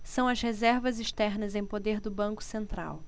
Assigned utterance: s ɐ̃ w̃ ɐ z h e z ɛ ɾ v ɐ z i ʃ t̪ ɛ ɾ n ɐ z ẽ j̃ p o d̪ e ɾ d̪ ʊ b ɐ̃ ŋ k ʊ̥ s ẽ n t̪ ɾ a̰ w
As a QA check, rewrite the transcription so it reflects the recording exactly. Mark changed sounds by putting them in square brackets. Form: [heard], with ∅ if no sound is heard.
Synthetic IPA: s ɐ̃ w̃ ɐ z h e z ɛ ɾ v ɐ z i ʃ t̪ ɛ ɾ n ɐ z ẽ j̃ p o d̪ e ɾ d̪ ʊ b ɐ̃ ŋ k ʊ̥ s ẽ n t̪ ɾ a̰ w